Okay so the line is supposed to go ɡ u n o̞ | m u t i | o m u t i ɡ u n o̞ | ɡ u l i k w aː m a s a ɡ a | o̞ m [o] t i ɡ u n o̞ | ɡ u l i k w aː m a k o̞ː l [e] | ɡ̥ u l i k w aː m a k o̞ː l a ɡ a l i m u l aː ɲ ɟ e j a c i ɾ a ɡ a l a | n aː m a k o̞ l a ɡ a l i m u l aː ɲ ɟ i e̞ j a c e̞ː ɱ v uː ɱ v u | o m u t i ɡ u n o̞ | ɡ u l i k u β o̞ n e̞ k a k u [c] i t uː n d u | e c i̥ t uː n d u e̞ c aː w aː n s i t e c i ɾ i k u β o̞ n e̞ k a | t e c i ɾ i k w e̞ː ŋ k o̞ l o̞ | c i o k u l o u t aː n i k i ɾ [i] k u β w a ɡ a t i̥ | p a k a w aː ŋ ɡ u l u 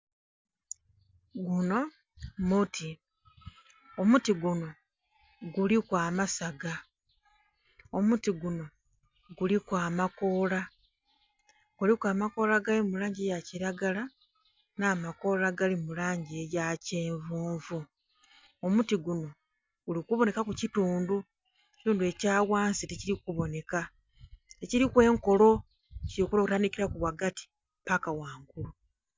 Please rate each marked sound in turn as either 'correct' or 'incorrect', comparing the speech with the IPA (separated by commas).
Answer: incorrect, incorrect, correct, incorrect